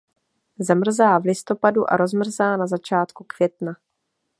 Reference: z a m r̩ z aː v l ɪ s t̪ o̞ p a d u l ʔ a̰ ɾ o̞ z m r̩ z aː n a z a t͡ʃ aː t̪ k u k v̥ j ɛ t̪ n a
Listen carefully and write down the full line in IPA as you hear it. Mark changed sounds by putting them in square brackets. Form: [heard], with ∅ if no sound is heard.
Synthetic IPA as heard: z a m r̩ z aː v l ɪ s t̪ o̞ p a d u [∅] ʔ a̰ ɾ o̞ z m r̩ z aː n a z a t͡ʃ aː t̪ k u k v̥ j ɛ t̪ n a